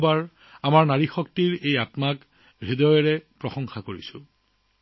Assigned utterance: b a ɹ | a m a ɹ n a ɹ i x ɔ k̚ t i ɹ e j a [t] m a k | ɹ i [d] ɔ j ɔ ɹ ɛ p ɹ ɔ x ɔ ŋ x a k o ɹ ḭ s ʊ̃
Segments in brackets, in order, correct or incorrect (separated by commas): correct, correct